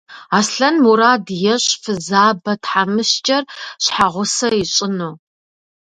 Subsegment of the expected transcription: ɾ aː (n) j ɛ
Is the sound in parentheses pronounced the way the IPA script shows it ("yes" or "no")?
no